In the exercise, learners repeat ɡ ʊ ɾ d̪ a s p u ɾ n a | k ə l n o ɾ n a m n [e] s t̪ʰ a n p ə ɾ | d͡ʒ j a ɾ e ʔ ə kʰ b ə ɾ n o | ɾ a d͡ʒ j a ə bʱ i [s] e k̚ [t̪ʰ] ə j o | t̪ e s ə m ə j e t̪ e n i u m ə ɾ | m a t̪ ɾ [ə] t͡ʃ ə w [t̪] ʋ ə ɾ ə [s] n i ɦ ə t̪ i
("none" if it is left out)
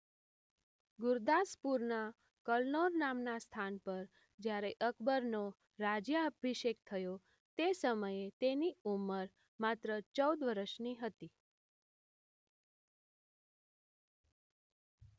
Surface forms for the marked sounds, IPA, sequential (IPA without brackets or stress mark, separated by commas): a, ʃ, t̪ʰ, ə, d̪, ʃ